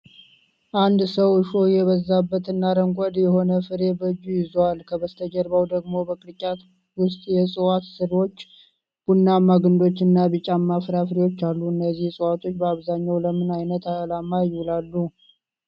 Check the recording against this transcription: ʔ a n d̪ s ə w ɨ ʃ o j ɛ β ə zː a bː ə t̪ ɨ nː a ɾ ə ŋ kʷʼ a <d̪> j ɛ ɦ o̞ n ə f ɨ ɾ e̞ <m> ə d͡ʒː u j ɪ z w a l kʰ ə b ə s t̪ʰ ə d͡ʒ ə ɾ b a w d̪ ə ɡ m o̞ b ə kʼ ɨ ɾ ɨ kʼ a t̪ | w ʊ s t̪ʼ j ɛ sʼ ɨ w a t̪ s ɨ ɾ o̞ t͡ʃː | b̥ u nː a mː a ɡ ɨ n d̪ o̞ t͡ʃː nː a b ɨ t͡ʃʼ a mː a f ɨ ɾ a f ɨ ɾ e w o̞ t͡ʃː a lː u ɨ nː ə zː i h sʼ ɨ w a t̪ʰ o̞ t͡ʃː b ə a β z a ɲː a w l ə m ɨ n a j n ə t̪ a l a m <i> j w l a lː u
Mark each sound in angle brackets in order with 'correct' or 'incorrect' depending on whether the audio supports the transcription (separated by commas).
correct, incorrect, incorrect